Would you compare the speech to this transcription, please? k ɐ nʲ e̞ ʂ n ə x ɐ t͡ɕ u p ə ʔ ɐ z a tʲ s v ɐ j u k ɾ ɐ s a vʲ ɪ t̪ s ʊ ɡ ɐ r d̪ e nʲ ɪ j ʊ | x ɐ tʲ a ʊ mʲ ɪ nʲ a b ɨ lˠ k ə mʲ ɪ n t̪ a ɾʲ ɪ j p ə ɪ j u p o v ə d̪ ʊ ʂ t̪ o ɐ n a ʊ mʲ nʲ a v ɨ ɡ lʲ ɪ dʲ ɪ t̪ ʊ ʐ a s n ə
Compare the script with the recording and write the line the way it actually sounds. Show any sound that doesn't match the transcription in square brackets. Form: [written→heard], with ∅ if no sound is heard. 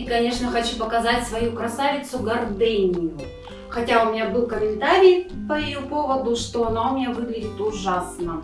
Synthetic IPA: k ɐ nʲ e̞ ʂ n ə x ɐ t͡ɕ u p ə [ʔ→k] ɐ z a tʲ s v ɐ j u k ɾ ɐ s a vʲ ɪ t̪ s ʊ ɡ ɐ r d̪ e nʲ ɪ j ʊ | x ɐ tʲ a ʊ mʲ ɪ nʲ a b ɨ lˠ k ə mʲ ɪ n t̪ a ɾʲ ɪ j p ə ɪ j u p o v ə d̪ ʊ ʂ t̪ o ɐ n a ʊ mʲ nʲ a v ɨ ɡ lʲ ɪ dʲ ɪ t̪ ʊ ʐ a s n ə